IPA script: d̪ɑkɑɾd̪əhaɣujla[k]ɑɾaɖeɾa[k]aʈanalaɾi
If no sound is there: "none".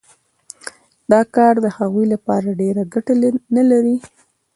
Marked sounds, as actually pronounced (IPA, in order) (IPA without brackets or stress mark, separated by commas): p, ɡ